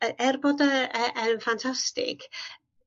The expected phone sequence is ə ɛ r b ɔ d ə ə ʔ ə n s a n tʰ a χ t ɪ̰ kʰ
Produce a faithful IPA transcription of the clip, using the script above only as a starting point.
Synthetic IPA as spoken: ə ɛ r b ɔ d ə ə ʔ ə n f a n tʰ a s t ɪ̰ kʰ